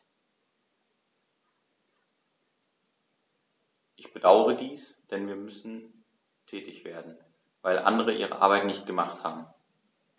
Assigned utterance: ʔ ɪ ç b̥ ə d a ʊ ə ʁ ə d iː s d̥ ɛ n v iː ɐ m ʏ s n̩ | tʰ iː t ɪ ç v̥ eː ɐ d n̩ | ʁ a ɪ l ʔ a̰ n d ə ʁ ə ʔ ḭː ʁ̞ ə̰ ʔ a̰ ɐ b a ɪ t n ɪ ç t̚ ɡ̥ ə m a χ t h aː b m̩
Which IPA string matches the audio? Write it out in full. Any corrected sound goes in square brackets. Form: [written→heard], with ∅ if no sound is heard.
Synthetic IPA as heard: ʔ ɪ ç b̥ ə d a ʊ ə ʁ ə d iː s d̥ ɛ n v iː ɐ m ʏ s n̩ | tʰ [iː→ɛː] t ɪ ç v̥ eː ɐ d n̩ | [ʁ→v] a ɪ l ʔ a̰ n d ə ʁ ə ʔ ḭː ʁ̞ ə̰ ʔ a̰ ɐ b a ɪ t n ɪ ç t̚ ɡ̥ ə m a χ t h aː b m̩